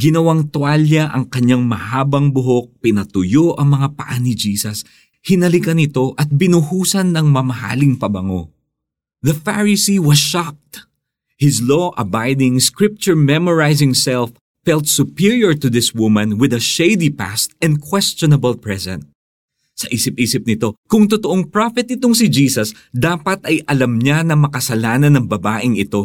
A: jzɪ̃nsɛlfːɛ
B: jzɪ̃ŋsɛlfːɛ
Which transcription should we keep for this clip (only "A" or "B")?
B